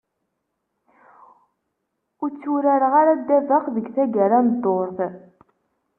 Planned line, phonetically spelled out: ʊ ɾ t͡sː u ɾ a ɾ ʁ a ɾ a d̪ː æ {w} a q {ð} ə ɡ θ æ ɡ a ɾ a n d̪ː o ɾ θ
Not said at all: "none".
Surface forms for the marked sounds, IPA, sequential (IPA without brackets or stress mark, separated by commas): v, ð